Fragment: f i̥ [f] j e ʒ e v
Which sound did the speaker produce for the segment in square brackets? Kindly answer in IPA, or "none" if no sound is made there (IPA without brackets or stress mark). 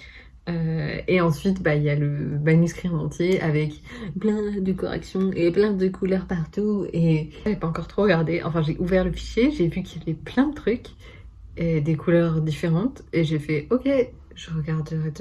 ʃ